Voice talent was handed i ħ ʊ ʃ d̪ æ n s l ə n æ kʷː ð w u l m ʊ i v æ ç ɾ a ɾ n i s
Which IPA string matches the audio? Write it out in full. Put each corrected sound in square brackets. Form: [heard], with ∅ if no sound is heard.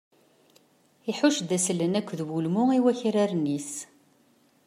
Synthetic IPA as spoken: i ħ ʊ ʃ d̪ æ [∅] s l ə n æ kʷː ð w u l m ʊ i [w] æ ç ɾ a ɾ n i s